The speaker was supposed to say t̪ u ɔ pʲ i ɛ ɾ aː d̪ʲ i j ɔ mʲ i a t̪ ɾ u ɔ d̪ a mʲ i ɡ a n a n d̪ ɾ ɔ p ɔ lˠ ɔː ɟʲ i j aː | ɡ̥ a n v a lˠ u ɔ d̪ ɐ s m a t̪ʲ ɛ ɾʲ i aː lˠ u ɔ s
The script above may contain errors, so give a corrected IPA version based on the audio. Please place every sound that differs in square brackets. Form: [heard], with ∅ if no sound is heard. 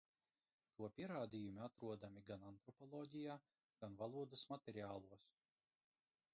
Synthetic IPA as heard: t̪ u ɔ pʲ i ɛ ɾ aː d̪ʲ i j [u] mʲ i a t̪ ɾ u ɔ d̪ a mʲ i ɡ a n a n [t̪] ɾ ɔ p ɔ lˠ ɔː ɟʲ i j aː | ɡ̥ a n v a lˠ u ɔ d̪ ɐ s m a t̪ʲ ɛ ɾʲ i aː lˠ u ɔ s